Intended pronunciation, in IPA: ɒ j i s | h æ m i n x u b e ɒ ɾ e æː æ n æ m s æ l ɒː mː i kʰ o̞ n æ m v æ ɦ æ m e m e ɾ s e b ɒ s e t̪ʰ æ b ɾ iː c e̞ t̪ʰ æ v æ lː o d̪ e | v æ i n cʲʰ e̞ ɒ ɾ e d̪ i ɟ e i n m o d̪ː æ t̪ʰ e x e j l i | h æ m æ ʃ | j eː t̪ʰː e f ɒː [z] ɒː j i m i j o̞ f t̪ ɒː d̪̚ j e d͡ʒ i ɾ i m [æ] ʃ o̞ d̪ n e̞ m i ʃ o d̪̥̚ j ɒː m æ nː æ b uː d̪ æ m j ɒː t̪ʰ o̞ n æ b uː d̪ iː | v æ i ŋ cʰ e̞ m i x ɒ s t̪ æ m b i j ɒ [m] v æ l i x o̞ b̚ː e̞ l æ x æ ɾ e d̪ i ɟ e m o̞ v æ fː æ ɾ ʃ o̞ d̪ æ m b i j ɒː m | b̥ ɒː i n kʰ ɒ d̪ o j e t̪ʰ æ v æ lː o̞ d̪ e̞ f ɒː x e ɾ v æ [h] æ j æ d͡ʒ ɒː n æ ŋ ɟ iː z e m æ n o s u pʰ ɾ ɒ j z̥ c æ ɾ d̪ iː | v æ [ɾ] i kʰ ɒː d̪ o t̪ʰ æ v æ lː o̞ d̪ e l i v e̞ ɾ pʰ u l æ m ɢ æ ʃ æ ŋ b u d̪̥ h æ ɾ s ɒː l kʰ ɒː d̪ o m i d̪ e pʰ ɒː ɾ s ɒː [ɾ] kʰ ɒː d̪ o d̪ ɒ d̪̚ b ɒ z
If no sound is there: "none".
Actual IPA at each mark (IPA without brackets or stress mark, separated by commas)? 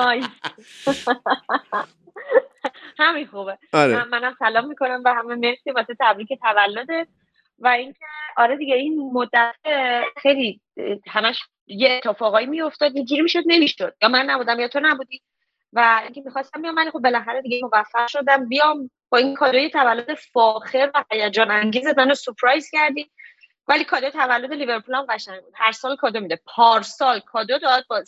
ɣ, i, m, h, l, l